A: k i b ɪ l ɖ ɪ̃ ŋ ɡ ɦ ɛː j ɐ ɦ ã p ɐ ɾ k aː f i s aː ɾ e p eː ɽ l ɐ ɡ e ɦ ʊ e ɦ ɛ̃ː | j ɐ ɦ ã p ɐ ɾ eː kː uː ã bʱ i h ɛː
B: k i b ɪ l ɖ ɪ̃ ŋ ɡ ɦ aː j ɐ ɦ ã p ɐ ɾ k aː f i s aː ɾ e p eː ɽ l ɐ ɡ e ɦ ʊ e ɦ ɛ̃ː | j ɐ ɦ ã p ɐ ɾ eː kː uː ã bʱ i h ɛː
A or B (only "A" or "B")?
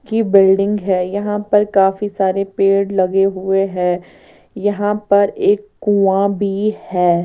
A